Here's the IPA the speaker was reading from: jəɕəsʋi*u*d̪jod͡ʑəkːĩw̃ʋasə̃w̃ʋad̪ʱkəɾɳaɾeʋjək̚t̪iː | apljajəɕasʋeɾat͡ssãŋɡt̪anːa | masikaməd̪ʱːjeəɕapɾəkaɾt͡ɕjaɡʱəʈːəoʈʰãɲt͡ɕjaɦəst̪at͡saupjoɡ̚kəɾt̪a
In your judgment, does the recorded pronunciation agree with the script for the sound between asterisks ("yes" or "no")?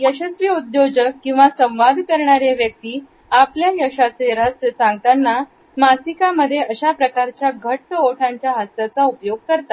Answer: yes